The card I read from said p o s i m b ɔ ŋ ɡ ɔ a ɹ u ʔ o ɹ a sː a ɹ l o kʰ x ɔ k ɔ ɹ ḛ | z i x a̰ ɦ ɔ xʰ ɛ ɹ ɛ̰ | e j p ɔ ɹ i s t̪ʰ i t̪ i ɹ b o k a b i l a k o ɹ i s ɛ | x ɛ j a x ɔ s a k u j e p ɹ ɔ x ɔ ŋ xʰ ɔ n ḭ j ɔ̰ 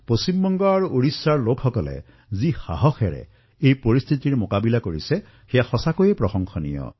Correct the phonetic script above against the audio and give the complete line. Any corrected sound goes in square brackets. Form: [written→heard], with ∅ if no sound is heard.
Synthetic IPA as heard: p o s i m b ɔ ŋ ɡ ɔ a ɹ u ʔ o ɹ [a→i] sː a ɹ l o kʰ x ɔ k ɔ [ɹ→l] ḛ | z i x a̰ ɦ ɔ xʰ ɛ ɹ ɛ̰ | e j p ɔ ɹ i s t̪ʰ i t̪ i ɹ [b→m] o k a b i l a k o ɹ i s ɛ | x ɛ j a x ɔ s a k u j e p ɹ ɔ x ɔ ŋ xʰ ɔ n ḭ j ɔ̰